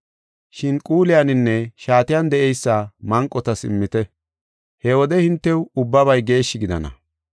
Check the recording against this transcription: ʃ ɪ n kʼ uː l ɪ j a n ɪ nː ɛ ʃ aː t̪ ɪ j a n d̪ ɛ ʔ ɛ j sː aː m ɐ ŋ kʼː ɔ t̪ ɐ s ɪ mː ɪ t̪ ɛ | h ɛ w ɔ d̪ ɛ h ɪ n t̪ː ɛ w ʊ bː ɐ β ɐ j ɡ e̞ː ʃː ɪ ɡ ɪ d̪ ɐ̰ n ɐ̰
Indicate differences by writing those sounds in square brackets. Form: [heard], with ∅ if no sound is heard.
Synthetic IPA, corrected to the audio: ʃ ɪ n kʼ uː l ɪ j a n ɪ nː ɛ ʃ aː t̪ ɪ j a n d̪ ɛ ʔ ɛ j sː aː m ɐ ŋ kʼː ɔ t̪ ɐ s ɪ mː ɪ t̪ ɛ | h ɛ w ɔ d̪ ɛ h ɪ n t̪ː ɛ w ʊ bː ɐ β ɐ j ɡ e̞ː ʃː ɪ ɡ ɪ d̪ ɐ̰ n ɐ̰